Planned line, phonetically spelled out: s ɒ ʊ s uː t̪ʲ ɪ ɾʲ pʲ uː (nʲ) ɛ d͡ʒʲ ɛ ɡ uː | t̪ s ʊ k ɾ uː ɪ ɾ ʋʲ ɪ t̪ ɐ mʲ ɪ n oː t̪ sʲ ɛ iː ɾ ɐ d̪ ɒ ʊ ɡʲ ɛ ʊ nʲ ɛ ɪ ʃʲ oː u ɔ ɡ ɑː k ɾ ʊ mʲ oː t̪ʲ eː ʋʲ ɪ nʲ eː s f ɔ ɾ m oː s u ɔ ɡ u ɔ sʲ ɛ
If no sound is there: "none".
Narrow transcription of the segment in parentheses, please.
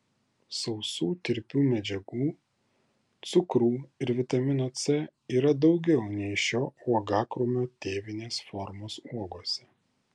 mʲ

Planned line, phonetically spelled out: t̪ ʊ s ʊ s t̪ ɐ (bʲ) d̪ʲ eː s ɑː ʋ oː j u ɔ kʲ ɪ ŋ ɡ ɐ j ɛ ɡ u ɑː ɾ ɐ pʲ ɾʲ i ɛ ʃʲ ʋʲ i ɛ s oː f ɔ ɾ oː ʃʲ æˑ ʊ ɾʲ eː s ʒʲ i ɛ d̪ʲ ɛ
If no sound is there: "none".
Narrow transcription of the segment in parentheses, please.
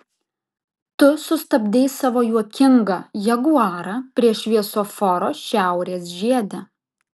bʲ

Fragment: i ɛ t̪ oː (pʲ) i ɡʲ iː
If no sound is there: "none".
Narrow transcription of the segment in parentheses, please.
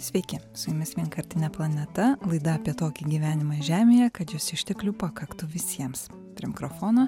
kʲ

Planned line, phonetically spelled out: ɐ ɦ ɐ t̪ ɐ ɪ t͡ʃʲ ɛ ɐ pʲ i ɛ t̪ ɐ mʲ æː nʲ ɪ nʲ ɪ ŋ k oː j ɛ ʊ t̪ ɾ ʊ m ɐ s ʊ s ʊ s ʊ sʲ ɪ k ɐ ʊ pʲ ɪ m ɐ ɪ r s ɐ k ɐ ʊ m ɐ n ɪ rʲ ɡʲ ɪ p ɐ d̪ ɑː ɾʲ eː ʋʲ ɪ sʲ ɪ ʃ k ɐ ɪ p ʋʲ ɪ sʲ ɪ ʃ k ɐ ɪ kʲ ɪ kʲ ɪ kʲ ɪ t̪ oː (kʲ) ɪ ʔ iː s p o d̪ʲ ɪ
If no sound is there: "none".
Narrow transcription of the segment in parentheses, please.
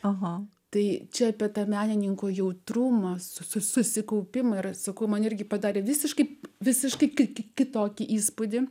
kʲ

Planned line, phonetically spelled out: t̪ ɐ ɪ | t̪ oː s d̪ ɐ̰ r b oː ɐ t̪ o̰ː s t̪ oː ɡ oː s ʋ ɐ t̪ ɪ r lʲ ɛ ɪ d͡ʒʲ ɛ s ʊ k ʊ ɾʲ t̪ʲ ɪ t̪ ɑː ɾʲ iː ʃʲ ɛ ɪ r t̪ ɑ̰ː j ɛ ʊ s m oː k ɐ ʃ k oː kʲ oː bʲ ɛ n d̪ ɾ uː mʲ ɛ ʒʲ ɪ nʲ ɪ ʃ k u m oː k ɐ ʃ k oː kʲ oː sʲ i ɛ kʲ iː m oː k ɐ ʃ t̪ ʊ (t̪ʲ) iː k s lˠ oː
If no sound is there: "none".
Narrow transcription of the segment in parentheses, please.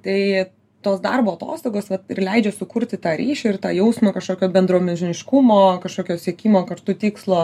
t̪ʲ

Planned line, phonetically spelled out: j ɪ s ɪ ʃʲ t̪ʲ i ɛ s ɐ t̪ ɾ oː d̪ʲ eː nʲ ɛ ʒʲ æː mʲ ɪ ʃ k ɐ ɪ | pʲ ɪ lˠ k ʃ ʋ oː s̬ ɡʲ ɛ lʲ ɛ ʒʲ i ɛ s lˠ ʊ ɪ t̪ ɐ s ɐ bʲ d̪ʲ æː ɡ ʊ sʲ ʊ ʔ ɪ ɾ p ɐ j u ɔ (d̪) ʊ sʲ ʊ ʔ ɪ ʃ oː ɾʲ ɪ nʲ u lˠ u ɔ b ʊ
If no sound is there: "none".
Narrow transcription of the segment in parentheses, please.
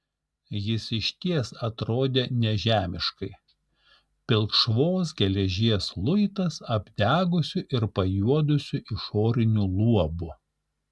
d̪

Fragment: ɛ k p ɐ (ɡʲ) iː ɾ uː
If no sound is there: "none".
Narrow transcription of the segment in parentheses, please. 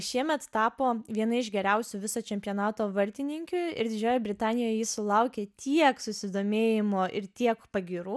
ɡʲ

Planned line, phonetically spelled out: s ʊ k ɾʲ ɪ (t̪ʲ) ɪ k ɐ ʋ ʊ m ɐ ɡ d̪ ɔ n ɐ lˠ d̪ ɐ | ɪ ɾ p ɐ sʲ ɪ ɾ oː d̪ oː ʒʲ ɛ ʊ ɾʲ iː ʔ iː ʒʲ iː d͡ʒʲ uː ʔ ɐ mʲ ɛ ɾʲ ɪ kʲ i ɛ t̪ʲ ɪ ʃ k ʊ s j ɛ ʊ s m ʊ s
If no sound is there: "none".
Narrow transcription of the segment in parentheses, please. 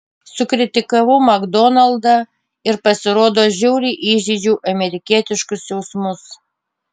t̪ʲ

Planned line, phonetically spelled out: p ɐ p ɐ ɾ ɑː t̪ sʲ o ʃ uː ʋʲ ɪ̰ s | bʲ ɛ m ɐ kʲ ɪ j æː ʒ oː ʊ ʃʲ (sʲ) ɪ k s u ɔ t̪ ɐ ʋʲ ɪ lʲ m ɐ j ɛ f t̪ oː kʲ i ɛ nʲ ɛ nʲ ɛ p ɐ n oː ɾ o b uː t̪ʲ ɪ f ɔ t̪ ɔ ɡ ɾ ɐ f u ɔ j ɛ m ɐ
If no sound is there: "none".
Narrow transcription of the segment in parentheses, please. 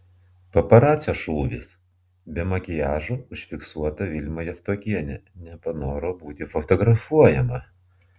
fʲ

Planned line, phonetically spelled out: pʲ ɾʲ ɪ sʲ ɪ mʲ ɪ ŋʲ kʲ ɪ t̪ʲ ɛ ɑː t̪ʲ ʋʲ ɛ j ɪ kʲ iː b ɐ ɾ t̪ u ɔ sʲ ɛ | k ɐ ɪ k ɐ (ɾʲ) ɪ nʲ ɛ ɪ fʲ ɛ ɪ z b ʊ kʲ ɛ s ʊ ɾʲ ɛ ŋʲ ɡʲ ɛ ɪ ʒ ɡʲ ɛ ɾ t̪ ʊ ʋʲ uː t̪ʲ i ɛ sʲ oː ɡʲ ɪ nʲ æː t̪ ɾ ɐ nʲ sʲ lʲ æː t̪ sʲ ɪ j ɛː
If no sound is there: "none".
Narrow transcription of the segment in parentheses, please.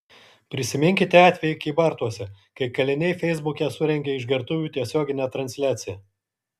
lʲ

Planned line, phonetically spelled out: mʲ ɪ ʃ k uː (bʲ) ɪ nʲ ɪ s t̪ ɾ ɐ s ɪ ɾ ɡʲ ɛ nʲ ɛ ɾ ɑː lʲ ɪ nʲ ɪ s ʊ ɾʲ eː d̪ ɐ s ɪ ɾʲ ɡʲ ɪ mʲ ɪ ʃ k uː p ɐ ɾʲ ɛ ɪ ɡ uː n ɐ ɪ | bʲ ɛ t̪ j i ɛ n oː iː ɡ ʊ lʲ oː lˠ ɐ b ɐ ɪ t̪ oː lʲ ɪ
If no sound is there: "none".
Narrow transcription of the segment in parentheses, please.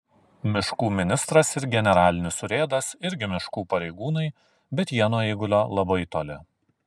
mʲ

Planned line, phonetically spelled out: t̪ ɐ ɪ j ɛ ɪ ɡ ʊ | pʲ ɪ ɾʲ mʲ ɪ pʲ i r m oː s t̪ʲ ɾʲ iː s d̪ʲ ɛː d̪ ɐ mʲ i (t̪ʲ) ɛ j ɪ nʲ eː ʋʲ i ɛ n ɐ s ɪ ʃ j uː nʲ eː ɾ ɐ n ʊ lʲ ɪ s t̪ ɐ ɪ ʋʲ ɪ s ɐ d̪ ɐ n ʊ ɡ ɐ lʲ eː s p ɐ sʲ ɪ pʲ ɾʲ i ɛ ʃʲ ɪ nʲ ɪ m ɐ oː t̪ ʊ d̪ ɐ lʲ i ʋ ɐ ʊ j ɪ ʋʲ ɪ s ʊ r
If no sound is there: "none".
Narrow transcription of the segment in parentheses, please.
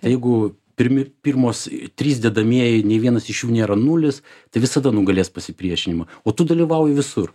none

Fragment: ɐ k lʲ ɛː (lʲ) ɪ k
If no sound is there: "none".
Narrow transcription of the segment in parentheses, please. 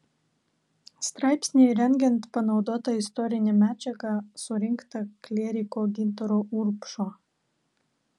ɾʲ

